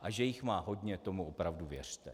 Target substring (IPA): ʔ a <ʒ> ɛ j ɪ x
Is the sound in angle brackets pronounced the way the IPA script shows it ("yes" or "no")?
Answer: yes